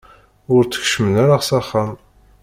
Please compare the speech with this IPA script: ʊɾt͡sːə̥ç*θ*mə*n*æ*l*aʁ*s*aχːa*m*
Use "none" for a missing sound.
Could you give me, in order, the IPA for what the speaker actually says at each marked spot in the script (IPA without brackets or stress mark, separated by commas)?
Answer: ʃ, n, ɾ, s, m